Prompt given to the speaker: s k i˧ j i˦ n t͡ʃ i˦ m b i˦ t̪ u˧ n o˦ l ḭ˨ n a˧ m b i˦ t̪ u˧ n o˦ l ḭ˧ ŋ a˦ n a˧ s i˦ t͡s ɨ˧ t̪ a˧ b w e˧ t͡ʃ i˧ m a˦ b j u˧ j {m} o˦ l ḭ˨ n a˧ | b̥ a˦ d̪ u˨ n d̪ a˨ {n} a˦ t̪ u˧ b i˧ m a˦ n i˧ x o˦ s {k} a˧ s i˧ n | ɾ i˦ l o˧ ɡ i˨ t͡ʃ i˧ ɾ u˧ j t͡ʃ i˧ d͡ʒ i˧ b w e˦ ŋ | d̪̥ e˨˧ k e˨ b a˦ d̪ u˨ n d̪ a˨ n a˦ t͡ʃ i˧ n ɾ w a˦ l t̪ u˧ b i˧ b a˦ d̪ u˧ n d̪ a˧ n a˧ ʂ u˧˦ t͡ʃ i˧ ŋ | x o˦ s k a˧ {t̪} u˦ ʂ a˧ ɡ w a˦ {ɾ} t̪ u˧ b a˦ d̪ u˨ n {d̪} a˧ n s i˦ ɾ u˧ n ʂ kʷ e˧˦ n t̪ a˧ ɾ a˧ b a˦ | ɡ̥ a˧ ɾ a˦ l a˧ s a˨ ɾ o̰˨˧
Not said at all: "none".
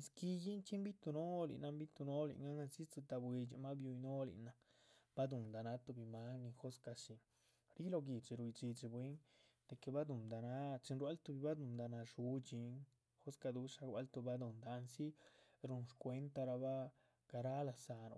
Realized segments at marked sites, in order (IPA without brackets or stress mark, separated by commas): n, n, k, d̪, l, d̪